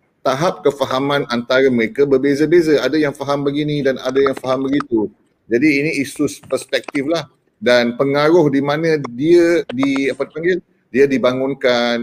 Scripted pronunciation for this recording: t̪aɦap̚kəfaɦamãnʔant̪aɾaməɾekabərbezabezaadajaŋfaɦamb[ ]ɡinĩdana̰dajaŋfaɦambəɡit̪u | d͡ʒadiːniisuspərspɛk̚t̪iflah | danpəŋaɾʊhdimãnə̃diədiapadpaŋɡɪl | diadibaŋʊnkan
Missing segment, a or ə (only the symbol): ə